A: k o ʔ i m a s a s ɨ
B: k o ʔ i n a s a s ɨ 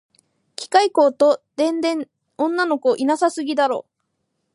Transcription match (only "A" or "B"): B